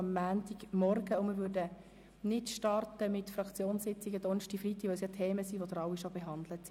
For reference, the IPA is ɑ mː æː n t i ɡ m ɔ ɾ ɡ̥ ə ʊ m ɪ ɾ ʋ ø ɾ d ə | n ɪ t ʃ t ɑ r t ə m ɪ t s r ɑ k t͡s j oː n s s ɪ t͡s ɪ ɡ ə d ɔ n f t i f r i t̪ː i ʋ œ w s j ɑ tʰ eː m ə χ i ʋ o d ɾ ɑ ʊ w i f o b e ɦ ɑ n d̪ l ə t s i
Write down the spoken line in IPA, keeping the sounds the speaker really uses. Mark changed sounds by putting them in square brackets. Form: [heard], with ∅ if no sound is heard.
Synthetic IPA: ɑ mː æː n t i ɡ m ɔ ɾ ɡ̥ ə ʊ m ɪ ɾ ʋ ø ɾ d ə | n ɪ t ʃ t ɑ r t ə m ɪ t [f] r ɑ k t͡s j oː n s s ɪ t͡s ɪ ɡ ə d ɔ n [ʃ] t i f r i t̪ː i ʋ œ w s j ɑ tʰ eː m ə [s] i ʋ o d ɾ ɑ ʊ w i [ʃ] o b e ɦ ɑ n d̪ l ə t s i